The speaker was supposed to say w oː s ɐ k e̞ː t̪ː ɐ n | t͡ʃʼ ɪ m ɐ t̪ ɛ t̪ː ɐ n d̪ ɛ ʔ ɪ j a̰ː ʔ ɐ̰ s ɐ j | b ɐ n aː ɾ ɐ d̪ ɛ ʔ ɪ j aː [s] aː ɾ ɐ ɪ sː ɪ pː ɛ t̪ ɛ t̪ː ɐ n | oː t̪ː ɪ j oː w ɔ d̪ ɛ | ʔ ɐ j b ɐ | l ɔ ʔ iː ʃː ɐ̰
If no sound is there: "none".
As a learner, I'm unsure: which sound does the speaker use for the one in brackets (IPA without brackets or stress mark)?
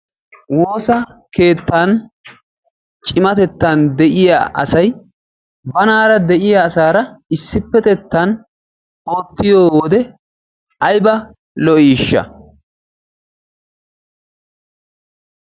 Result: s